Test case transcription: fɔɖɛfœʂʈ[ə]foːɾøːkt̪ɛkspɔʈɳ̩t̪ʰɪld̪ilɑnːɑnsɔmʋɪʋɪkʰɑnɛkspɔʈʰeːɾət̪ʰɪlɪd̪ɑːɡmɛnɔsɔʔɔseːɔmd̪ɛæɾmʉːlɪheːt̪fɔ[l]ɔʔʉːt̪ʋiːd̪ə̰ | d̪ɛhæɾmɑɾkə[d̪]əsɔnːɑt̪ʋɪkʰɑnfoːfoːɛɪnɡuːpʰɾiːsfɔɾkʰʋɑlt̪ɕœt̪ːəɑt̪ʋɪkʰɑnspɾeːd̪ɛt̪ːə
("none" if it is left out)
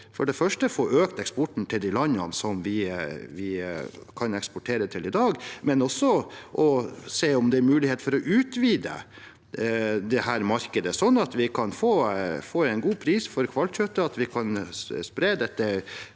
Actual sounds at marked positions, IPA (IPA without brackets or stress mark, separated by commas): ə, ɾ, d̪